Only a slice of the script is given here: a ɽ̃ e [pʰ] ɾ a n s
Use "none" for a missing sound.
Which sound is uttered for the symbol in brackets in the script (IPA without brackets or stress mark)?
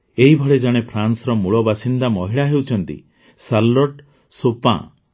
pʰ